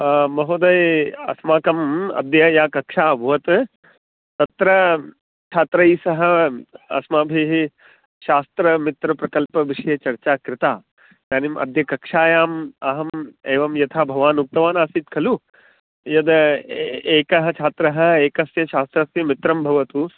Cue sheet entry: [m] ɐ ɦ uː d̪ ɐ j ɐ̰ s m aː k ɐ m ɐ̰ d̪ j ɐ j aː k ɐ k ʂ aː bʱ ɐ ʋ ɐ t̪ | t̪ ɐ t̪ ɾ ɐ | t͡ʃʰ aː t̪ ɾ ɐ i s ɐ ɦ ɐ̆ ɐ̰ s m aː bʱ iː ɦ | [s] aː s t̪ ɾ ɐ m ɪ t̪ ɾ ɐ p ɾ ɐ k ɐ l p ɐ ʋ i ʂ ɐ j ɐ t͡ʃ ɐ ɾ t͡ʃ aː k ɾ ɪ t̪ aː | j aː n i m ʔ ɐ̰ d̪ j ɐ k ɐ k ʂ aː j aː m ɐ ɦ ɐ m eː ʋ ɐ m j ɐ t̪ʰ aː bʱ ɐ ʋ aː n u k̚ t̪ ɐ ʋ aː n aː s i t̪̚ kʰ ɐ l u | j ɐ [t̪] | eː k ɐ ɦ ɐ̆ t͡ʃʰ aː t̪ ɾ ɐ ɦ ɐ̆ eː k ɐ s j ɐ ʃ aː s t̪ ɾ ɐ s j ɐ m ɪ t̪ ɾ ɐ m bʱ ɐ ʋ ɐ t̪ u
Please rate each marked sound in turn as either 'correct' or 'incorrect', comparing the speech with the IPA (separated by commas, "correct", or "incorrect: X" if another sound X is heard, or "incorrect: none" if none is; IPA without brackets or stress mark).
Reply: correct, incorrect: ʃ, incorrect: d̪